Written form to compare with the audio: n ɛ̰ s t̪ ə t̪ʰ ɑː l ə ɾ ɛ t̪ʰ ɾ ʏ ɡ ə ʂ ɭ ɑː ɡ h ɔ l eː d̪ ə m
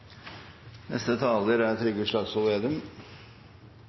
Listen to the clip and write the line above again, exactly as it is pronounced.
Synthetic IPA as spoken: n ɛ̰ s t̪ ə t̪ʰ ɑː l ə ɾ æ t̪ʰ ɾ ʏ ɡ ə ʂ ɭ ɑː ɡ s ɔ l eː d̪ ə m